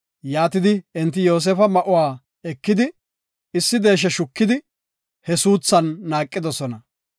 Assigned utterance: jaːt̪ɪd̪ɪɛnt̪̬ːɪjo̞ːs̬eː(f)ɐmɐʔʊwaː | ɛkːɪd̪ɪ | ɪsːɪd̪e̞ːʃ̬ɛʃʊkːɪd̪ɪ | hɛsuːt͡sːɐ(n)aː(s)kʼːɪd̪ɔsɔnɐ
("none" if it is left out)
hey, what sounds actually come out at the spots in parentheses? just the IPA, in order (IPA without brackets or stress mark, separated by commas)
f, nː, none